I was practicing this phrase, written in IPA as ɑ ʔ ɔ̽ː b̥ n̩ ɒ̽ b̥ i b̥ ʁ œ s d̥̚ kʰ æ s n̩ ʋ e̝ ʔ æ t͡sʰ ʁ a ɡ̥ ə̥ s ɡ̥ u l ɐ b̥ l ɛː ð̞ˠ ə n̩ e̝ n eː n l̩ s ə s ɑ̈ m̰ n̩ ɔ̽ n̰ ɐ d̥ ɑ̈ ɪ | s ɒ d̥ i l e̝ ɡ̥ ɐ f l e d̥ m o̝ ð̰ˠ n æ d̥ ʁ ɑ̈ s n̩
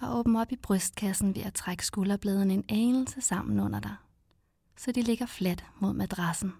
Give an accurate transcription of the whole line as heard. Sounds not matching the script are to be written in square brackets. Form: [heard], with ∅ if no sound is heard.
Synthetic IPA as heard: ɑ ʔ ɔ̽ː b̥ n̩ ɒ̽ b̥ i b̥ ʁ œ s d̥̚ kʰ æ s n̩ ʋ e̝ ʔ æ t͡sʰ ʁ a ɡ̥ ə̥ s ɡ̥ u l ɐ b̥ l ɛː ð̞ˠ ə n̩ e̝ n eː n l̩ s ə s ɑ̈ m̰ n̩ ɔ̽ n̰ ɐ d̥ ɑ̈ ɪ | s ɒ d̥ i l e̝ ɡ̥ ɐ f l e d̥ m o̝ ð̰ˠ [m] æ d̥ ʁ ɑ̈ s n̩